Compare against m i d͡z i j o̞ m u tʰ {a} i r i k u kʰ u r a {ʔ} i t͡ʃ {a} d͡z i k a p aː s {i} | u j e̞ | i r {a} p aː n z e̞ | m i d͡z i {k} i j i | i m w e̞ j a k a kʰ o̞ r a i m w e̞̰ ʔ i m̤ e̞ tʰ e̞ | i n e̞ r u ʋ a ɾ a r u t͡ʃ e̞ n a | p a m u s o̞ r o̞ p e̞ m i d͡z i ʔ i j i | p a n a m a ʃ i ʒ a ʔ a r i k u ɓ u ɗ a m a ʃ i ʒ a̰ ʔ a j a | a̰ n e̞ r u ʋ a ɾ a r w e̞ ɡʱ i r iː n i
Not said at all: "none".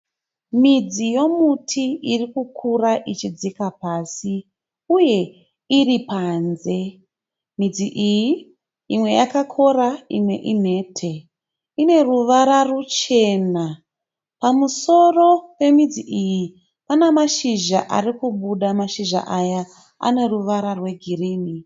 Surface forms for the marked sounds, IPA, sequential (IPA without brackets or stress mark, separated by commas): i, ʔ, i, i, i, ʔ